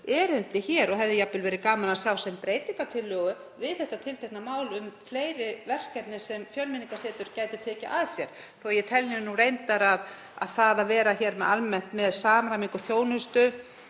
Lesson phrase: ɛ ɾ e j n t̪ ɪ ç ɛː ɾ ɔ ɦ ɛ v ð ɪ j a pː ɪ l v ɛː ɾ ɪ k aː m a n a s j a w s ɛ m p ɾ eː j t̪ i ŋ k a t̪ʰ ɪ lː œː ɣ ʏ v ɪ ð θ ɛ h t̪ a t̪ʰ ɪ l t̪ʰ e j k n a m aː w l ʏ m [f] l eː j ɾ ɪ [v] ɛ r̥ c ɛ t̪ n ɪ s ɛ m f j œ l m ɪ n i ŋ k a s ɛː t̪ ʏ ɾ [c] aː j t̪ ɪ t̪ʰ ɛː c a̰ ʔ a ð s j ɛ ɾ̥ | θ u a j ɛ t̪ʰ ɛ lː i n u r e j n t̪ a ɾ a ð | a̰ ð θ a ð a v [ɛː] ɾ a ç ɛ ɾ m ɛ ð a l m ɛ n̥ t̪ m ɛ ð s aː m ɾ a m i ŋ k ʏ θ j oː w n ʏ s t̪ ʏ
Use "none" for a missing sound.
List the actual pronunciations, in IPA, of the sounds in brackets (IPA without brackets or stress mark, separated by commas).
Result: f, v, c, ɛː